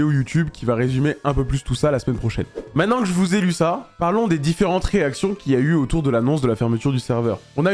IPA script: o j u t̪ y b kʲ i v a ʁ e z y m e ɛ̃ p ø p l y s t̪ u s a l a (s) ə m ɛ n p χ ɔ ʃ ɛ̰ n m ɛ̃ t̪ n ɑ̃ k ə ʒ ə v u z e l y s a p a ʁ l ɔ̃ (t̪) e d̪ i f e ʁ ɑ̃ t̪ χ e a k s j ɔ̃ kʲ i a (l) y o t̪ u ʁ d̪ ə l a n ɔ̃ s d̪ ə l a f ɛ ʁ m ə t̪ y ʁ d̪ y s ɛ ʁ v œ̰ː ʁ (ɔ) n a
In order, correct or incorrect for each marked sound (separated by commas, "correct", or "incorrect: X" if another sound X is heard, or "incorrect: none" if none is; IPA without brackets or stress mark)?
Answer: correct, incorrect: d̪, incorrect: none, incorrect: ɔ̃